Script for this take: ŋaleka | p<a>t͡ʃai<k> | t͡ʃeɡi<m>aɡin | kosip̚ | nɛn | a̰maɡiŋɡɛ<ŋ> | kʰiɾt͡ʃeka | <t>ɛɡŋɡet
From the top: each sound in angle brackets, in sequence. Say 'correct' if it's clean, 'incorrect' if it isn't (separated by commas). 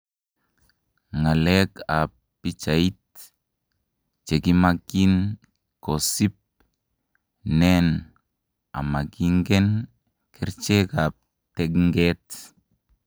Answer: incorrect, incorrect, correct, incorrect, correct